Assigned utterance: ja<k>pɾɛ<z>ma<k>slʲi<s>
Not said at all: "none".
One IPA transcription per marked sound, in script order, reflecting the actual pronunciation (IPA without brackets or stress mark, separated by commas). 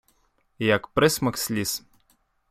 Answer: k, s, k, s